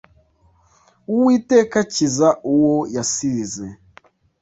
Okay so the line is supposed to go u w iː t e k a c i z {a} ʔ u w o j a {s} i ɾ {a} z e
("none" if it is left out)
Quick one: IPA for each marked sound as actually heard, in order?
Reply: a, s, i

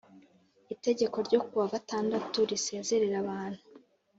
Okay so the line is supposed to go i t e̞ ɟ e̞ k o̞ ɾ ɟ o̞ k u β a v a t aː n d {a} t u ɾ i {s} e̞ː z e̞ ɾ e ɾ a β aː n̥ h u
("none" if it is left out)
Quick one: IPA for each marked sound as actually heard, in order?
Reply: a, s

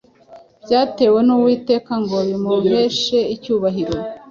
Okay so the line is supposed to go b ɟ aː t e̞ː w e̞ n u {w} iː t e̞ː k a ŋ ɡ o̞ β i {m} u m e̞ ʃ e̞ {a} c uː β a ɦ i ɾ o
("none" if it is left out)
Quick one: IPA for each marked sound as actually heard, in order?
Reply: w, m, i

